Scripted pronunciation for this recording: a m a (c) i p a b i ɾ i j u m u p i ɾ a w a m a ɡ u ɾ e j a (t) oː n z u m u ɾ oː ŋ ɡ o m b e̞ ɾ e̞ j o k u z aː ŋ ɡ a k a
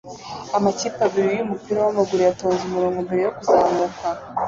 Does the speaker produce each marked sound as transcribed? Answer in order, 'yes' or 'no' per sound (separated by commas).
yes, yes